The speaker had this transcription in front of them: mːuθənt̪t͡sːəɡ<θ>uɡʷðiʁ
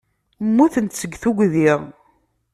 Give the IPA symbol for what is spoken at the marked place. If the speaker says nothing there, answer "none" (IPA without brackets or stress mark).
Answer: θ